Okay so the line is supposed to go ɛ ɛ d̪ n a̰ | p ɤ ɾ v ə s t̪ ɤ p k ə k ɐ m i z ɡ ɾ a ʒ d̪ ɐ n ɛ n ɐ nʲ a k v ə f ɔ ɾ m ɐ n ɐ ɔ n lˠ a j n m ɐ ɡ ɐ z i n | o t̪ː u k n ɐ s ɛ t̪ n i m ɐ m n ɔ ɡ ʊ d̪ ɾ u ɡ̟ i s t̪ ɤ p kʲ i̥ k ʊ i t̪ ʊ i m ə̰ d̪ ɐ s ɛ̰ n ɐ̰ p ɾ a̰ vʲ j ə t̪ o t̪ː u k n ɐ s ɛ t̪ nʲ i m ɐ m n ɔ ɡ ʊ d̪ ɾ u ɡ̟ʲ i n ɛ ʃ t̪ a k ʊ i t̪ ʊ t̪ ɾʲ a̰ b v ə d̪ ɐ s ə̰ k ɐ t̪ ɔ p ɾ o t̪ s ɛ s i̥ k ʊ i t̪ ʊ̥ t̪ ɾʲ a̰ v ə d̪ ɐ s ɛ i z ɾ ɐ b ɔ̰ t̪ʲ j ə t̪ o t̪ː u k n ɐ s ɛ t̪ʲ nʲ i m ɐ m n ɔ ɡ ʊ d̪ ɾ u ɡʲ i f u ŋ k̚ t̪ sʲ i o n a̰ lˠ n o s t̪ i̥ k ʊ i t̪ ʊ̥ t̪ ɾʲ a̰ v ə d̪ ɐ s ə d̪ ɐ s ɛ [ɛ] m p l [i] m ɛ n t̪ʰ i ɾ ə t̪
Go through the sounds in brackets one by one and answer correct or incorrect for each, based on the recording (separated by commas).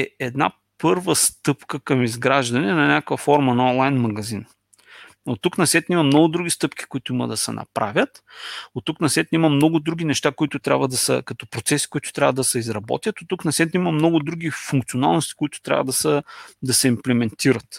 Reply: incorrect, incorrect